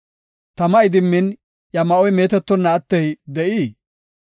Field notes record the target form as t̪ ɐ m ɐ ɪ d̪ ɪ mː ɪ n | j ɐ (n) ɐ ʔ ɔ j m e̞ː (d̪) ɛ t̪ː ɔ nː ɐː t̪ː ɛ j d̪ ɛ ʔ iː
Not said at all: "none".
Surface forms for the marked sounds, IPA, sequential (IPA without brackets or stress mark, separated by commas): m, t̪